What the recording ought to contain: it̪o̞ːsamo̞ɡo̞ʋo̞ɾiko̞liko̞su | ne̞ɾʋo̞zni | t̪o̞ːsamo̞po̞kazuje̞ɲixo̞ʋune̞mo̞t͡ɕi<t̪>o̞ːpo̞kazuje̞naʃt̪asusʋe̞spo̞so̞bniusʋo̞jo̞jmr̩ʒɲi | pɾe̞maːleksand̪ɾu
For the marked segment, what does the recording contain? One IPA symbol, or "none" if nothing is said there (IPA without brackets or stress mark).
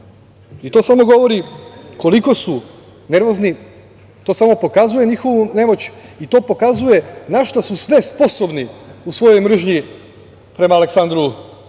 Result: t̪